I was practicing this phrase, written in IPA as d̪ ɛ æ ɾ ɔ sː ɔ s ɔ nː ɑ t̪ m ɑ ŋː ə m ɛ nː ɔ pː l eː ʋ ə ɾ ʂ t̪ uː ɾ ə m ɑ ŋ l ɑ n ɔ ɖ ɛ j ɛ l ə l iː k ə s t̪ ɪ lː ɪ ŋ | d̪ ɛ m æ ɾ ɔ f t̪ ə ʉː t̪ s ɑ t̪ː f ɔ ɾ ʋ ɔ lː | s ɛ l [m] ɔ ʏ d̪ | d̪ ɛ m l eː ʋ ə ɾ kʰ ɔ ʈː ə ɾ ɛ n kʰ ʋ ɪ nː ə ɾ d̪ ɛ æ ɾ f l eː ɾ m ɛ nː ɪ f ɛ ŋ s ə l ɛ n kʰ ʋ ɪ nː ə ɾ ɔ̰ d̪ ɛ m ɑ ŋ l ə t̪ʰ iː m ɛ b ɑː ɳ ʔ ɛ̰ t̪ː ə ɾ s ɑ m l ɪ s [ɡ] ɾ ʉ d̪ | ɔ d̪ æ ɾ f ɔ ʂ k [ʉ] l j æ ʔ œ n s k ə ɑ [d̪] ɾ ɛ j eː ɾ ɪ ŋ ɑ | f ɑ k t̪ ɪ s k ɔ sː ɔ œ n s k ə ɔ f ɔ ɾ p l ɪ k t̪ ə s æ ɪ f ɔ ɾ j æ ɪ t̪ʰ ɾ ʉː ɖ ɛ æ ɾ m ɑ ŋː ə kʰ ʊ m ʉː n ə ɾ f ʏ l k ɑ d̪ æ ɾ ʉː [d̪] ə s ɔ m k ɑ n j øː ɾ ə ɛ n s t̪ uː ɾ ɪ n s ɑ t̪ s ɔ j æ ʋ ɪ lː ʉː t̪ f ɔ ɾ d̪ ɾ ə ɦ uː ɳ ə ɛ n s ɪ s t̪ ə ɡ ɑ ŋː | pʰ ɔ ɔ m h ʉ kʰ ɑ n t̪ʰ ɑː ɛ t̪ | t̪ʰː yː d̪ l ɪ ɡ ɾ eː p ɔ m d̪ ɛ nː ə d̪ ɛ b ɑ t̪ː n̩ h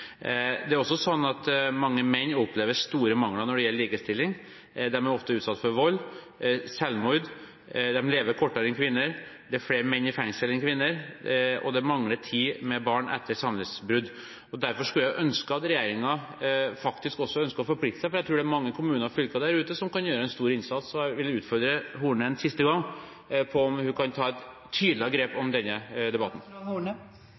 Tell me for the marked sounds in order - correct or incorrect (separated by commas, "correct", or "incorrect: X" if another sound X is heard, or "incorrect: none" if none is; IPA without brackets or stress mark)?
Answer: correct, incorrect: b, correct, incorrect: t̪, incorrect: t̪